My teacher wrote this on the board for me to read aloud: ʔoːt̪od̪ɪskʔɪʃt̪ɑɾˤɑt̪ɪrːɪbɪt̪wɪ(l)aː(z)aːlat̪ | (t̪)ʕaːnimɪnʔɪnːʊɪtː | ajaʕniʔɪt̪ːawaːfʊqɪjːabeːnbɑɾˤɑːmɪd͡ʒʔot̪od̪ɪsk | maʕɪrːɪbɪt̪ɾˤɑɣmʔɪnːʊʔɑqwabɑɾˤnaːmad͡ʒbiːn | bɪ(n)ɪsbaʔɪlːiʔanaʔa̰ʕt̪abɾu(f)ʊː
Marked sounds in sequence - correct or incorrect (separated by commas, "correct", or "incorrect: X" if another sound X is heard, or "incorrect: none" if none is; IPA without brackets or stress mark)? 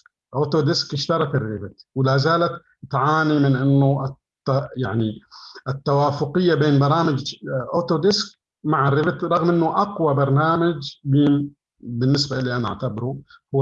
correct, correct, correct, incorrect: nː, incorrect: h